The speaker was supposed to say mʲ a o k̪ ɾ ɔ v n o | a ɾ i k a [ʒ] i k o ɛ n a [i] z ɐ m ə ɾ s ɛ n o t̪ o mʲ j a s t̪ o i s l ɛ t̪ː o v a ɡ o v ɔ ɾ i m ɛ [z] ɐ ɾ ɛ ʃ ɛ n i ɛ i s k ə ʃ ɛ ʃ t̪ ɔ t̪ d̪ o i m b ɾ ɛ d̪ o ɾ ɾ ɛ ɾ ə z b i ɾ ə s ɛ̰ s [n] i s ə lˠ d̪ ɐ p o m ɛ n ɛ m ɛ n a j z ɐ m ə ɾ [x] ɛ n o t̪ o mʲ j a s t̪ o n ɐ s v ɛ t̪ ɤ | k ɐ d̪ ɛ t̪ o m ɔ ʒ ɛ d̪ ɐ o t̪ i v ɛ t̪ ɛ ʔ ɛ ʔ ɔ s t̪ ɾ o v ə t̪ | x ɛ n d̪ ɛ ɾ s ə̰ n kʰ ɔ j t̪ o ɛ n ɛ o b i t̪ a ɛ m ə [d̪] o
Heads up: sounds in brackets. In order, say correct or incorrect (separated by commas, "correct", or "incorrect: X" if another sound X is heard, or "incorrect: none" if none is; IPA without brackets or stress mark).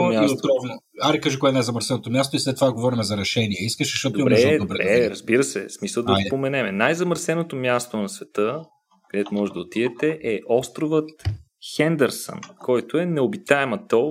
correct, incorrect: j, correct, incorrect: m, incorrect: s, incorrect: t̪